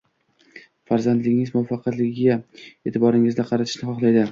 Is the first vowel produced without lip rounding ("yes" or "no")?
yes